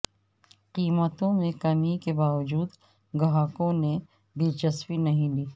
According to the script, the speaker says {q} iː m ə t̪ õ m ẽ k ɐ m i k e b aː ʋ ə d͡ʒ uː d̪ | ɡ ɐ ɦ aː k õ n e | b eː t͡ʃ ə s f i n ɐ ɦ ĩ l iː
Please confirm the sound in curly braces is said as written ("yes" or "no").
yes